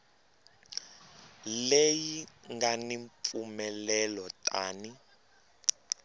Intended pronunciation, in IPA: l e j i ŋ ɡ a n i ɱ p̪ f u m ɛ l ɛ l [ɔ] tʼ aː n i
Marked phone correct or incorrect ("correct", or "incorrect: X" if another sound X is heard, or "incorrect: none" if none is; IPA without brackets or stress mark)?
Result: correct